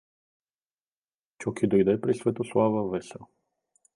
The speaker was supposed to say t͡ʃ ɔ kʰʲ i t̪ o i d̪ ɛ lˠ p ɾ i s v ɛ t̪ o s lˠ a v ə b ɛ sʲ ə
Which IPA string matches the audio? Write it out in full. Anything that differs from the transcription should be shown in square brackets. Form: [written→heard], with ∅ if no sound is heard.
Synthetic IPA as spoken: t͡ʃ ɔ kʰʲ i [t̪→d̪] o [i→j] d̪ ɛ [lˠ→∅] p ɾ i s v ɛ t̪ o s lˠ a v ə [b→v] ɛ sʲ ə